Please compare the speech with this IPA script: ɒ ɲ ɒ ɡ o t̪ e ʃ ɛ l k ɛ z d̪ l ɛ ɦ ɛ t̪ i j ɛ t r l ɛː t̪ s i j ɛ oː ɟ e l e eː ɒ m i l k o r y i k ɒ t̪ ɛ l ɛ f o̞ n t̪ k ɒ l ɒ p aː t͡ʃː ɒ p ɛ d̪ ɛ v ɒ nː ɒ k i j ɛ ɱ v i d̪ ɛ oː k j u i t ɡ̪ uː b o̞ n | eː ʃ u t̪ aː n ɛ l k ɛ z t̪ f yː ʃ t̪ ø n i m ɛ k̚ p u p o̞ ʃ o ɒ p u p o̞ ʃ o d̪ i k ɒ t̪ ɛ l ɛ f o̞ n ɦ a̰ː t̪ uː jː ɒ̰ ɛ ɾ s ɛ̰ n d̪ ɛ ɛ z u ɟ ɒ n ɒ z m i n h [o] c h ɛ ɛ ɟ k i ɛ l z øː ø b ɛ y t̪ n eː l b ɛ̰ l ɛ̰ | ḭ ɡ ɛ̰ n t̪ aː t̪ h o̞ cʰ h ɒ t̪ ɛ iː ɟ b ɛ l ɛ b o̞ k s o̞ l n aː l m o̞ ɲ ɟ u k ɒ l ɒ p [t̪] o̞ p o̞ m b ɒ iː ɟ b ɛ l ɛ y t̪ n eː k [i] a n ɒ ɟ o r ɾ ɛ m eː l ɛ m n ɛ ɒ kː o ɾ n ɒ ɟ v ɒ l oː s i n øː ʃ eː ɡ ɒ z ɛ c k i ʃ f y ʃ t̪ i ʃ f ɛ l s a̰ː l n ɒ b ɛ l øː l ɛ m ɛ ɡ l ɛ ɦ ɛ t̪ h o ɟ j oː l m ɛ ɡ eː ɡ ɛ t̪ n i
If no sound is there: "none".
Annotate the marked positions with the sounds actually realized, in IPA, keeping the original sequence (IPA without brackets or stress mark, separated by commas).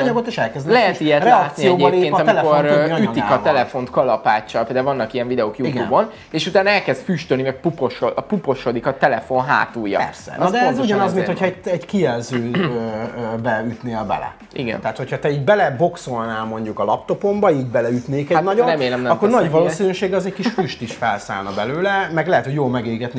o, t̪, ɛ